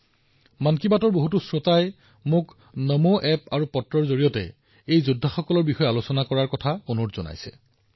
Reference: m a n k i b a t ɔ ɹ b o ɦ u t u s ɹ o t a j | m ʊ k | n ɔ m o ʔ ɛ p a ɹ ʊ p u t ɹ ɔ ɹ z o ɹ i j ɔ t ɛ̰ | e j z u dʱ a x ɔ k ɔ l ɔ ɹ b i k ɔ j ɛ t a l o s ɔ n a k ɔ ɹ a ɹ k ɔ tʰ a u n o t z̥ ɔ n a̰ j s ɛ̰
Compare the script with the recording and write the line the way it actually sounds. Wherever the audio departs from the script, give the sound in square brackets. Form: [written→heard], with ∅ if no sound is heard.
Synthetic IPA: m a n k i b a t ɔ ɹ b o ɦ u t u s ɹ o t a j | m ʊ k | n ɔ m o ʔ ɛ p a ɹ [ʊ→u] p [u→ɔ] t ɹ ɔ ɹ z o ɹ i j ɔ t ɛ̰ | e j z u dʱ a x ɔ k ɔ l ɔ ɹ b i [k→x] ɔ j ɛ [t→∅] a l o s ɔ n a k ɔ ɹ a ɹ k ɔ tʰ a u n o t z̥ ɔ n a̰ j s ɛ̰